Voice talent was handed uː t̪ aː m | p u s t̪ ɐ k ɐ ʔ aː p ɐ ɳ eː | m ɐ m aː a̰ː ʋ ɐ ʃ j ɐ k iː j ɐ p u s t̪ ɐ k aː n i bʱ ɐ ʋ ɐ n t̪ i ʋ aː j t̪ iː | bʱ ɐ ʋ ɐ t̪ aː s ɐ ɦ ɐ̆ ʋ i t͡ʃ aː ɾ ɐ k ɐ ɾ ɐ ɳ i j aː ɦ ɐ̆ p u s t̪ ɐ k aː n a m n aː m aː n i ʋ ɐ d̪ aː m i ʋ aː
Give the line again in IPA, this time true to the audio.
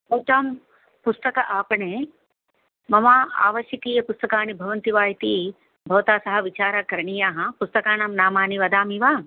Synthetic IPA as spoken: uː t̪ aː m | p u s t̪ ɐ k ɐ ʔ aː p ɐ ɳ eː | m ɐ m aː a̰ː ʋ ɐ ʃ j ɐ k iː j ɐ p u s t̪ ɐ k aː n i bʱ ɐ ʋ ɐ n t̪ i ʋ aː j t̪ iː | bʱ ɐ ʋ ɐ t̪ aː s ɐ ɦ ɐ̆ ʋ i t͡ʃ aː ɾ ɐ k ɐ ɾ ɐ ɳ i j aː ɦ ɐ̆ p u s t̪ ɐ k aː n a m n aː m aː n i ʋ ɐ d̪ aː m i ʋ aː

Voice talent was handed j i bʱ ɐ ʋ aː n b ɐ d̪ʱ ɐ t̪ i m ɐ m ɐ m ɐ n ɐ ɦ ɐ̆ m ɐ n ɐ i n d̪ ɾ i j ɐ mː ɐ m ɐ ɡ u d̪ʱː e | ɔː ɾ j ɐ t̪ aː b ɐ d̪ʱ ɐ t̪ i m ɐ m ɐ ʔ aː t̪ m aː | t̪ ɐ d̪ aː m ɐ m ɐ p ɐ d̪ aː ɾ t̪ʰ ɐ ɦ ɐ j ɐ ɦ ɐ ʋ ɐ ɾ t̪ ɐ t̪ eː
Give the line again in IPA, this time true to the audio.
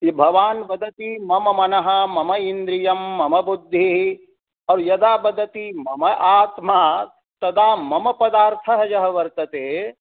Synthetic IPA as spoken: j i bʱ ɐ ʋ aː n b ɐ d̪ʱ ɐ t̪ i m ɐ m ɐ m ɐ n ɐ ɦ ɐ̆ m ɐ m ɐ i n d̪ ɾ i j ɐ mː ɐ m ɐ b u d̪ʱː i | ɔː ɾ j ɐ d̪ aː b ɐ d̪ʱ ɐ t̪ i m ɐ m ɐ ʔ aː t̪ m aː | t̪ ɐ d̪ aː m ɐ m ɐ p ɐ d̪ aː ɾ t̪ʰ ɐ ɦ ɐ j ɐ ɦ ɐ ʋ ɐ ɾ t̪ ɐ t̪ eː

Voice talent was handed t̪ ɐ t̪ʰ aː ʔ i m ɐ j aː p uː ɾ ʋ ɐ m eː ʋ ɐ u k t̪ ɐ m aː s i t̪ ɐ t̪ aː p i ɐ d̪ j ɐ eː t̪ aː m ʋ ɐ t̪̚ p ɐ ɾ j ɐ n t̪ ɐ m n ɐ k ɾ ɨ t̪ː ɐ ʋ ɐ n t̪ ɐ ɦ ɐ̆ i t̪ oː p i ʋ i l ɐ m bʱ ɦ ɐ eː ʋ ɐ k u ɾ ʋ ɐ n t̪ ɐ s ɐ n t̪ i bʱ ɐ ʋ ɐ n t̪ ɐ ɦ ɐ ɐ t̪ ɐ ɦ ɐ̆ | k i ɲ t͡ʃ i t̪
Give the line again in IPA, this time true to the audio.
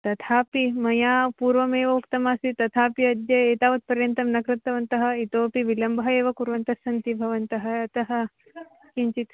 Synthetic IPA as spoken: t̪ ɐ t̪ʰ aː p i m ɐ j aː p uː ɾ ʋ ɐ m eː ʋ ɐ u k t̪ ɐ m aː s i t̪ ɐ t̪ʰ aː p i ɐ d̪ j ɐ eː t̪ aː ʋ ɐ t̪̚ p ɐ ɾ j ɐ n t̪ ɐ m n ɐ k ɾ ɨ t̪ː ɐ ʋ ɐ n t̪ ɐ ɦ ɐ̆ i t̪ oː p i ʋ i l ɐ m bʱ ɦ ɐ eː ʋ ɐ k u ɾ ʋ ɐ n t̪ ɐ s ɐ n t̪ i bʱ ɐ ʋ ɐ n t̪ ɐ ɦ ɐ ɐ t̪ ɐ ɦ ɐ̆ | k i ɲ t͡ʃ i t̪

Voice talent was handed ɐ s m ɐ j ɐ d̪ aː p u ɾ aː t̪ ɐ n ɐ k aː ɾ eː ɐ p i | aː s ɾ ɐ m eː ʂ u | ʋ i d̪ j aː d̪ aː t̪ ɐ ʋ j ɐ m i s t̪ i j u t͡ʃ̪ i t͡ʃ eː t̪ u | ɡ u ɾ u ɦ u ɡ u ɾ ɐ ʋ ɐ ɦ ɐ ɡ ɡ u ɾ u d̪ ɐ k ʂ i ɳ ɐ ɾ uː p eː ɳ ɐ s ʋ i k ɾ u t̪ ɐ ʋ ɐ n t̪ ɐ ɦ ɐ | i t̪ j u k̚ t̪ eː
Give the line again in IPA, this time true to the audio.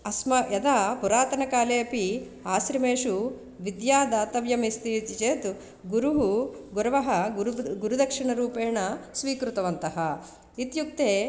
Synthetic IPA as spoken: ɐ s m ɐ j ɐ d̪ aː p u ɾ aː t̪ ɐ n ɐ k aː l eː ɐ p i | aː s ɾ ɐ m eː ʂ u | ʋ i d̪ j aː d̪ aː t̪ ɐ ʋ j ɐ m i s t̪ i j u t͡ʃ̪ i t͡ʃ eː t̪ u | ɡ u ɾ u ɦ u ɡ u ɾ ɐ ʋ ɐ ɦ ɐ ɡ ɡ u ɾ u d̪ ɐ k ʂ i ɳ ɐ ɾ uː p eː ɳ ɐ s ʋ iː k ɾ u t̪ ɐ ʋ ɐ n t̪ ɐ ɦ ɐ | i t̪ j u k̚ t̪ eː

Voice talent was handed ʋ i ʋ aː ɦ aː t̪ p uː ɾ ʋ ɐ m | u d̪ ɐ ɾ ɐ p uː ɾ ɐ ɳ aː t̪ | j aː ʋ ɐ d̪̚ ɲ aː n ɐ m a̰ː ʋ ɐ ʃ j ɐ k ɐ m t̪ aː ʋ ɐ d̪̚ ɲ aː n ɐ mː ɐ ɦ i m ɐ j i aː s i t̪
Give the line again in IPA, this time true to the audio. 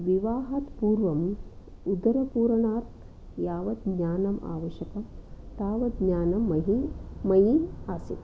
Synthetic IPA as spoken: ʋ i ʋ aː ɦ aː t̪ p uː ɾ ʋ ɐ m | u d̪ ɐ ɾ ɐ p uː ɾ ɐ ɳ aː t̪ | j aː ʋ ɐ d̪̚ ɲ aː n ɐ m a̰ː ʋ ɐ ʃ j ɐ k ɐ m t̪ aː ʋ ɐ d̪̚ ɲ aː n ɐ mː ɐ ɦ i m ɐ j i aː s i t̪

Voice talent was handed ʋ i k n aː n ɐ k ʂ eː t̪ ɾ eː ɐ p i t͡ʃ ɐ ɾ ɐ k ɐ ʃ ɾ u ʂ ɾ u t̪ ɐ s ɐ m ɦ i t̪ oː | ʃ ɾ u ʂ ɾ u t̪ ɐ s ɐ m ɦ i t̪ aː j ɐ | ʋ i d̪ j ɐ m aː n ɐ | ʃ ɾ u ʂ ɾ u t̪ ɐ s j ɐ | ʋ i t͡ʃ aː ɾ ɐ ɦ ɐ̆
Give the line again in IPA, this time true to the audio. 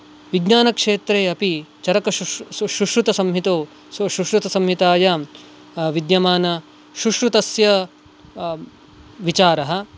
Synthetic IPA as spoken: ʋ i ɡ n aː n ɐ k ʂ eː t̪ ɾ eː ɐ p i t͡ʃ ɐ ɾ ɐ k ɐ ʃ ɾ u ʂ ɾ u t̪ ɐ s ɐ m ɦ i t̪ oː | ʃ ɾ u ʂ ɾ u t̪ ɐ s ɐ m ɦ i t̪ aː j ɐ | ʋ i d̪ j ɐ m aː n ɐ | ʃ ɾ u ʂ ɾ u t̪ ɐ s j ɐ | ʋ i t͡ʃ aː ɾ ɐ ɦ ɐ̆

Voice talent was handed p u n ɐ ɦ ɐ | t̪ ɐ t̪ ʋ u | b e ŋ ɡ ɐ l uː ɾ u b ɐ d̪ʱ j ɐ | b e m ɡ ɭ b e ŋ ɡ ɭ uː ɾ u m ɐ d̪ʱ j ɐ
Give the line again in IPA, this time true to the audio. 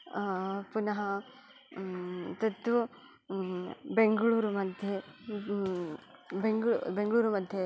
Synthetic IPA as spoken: p u n ɐ ɦ ɐ | t̪ ɐ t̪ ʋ u | b e ŋ ɡ ɐ ɭ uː ɾ u m ɐ d̪ʱ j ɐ | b e ŋ ɡ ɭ b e ŋ ɡ ɭ uː ɾ u m ɐ d̪ʱ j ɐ

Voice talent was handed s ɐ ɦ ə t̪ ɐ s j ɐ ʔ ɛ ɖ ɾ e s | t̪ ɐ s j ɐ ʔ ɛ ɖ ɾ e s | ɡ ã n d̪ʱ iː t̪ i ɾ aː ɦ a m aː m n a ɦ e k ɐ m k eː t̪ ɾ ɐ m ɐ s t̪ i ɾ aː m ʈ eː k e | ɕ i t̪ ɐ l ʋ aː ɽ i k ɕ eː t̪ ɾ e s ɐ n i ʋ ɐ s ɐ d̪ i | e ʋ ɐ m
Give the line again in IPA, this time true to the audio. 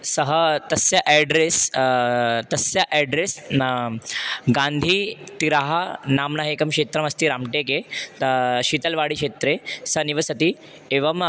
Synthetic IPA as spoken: s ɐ ɦ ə t̪ ɐ s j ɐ ʔ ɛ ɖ ɾ e s | t̪ ɐ s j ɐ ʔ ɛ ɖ ɾ e s | ɡ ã n d̪ʱ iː t̪ i ɾ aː ɦ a n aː m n a ɦ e k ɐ m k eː t̪ ɾ ɐ m ɐ s t̪ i ɾ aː m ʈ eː k e | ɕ i t̪ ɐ l ʋ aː ɽ i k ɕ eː t̪ ɾ e s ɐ n i ʋ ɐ s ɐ t̪ i | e ʋ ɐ m

